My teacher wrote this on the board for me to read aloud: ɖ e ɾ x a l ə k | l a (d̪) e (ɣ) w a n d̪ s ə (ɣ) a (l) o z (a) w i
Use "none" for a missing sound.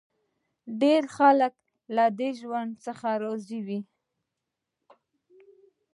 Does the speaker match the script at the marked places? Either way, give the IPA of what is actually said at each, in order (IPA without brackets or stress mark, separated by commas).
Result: d̪, ʒ, x, ɾ, i